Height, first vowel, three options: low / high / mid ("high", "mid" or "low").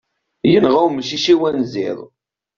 mid